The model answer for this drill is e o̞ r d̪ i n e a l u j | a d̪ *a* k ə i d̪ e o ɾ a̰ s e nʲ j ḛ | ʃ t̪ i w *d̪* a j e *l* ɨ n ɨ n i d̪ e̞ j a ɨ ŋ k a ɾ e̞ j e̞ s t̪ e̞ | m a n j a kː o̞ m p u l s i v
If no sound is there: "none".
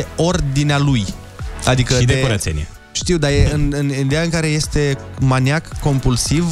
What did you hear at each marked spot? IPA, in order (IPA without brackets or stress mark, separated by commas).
i, d̪, none